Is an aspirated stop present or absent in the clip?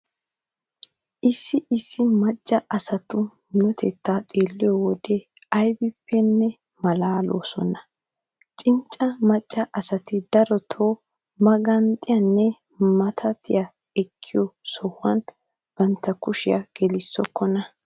present